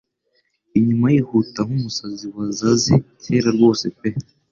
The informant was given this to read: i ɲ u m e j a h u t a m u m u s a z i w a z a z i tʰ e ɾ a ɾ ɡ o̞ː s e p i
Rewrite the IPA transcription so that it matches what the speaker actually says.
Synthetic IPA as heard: i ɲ u m a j i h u t a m u m u s a z i w a z a z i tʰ e ɾ a ɾ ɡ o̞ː s e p e